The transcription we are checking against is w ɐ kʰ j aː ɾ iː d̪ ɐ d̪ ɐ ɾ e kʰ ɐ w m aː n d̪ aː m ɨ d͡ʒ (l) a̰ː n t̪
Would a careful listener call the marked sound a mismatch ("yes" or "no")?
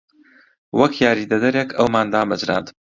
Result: yes